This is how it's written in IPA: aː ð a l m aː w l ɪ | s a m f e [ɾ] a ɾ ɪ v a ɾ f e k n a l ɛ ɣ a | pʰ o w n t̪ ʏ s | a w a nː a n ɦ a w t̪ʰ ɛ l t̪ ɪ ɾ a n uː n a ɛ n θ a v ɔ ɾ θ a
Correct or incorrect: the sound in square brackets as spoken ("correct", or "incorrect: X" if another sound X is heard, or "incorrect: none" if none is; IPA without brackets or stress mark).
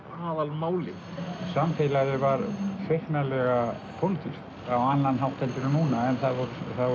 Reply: incorrect: l